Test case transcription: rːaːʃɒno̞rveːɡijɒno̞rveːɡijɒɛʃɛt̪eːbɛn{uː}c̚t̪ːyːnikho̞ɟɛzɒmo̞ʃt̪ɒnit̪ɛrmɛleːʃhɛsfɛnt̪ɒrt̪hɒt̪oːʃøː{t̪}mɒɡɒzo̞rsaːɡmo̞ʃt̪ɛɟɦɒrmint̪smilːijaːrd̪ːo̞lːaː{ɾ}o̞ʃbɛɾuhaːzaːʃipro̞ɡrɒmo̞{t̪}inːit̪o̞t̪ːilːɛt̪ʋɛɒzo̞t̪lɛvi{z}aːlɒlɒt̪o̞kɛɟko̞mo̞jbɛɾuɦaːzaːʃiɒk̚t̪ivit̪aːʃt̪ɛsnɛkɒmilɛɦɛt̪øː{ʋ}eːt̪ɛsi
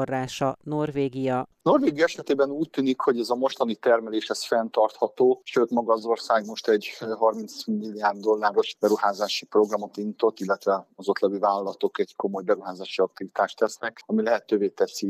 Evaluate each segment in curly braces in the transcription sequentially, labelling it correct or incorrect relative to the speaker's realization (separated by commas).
correct, correct, correct, correct, incorrect, incorrect